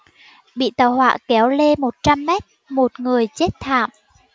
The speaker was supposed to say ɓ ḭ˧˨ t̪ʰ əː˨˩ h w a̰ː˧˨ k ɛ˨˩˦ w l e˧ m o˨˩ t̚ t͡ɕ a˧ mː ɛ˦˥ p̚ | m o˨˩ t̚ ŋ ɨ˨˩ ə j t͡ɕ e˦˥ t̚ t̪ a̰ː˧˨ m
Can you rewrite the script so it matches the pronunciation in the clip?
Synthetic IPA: ɓ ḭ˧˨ t̪ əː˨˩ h w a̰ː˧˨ k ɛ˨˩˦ w l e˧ m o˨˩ t̚ t͡ɕ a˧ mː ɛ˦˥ t̚ | m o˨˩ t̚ ŋ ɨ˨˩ ə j t͡ɕ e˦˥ t̚ t̪ʰ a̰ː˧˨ m

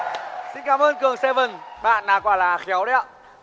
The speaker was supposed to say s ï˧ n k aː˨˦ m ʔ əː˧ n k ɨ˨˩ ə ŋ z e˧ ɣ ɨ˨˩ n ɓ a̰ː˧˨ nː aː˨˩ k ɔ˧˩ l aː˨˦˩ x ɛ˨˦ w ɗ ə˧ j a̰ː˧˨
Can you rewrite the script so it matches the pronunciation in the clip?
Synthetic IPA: s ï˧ n k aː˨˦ m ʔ əː˧ n k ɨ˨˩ ə ŋ s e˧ v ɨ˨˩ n ɓ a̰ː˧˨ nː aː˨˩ k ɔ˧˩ l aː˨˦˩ x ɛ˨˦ w ɗ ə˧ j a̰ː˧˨

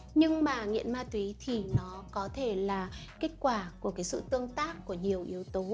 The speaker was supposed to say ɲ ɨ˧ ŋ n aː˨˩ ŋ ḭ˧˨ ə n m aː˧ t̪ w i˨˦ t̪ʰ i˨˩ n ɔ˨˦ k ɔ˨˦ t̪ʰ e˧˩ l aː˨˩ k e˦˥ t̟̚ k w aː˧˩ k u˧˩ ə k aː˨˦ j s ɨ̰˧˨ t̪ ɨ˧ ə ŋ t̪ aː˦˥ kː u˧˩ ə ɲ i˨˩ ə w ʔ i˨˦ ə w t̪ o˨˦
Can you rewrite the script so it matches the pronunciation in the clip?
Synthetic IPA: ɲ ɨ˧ ŋ m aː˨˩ ŋ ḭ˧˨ ə n m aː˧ t̪ w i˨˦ t̪ʰ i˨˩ n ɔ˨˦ k ɔ˨˦ t̪ʰ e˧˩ l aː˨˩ k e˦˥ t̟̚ k w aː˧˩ k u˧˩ ə k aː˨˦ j s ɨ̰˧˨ t̪ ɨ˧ ə ŋ t̪ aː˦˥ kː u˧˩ ə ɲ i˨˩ ə w ʔ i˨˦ ə w t̪ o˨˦

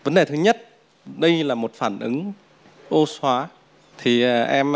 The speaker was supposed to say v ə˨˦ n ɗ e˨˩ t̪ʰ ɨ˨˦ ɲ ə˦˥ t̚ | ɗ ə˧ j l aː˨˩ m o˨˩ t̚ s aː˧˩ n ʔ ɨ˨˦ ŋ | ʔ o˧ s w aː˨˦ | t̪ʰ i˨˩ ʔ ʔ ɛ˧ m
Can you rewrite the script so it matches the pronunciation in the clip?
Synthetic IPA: v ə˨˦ n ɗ e˨˩ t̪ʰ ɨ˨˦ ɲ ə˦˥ t̚ | ɗ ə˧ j l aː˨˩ m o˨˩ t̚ f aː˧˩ n ʔ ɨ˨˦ ŋ | ʔ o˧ s w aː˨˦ | t̪ʰ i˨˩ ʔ ʔ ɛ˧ m

